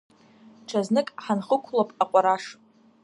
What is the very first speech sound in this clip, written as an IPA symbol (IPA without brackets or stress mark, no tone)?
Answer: ʈ͡ʂʰ